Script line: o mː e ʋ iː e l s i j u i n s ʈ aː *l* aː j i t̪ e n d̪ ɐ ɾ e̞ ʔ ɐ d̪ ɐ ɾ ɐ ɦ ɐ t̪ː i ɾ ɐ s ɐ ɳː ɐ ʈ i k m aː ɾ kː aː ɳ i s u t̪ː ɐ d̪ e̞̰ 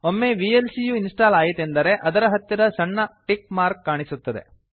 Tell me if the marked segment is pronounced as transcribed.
yes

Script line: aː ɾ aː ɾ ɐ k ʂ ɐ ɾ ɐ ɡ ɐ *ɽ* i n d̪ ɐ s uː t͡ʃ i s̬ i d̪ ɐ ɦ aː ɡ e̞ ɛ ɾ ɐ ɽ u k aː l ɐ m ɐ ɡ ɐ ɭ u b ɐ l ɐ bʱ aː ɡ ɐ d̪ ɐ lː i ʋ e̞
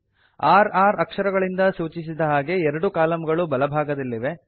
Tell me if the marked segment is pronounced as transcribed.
no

